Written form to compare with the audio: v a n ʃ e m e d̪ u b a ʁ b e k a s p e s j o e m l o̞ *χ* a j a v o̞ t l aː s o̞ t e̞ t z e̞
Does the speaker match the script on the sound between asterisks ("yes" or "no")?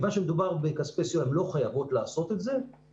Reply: yes